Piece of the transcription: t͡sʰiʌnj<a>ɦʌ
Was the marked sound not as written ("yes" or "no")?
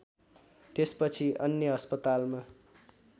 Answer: yes